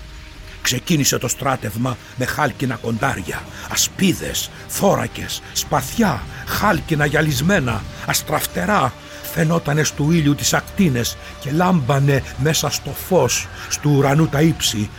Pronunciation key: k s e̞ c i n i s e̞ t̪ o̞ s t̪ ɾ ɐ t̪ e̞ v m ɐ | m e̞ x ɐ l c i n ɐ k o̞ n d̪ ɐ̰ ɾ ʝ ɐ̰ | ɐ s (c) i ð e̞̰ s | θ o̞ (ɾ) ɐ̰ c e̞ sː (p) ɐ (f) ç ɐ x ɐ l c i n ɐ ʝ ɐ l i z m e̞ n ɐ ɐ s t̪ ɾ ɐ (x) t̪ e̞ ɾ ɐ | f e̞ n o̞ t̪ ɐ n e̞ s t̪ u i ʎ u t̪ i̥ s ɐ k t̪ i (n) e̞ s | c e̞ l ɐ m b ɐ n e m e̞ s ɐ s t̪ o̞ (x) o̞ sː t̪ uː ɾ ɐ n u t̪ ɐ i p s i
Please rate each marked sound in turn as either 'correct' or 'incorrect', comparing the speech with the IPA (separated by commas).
incorrect, correct, correct, incorrect, incorrect, correct, incorrect